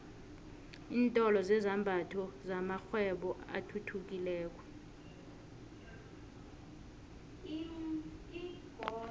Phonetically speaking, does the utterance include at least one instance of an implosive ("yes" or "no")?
yes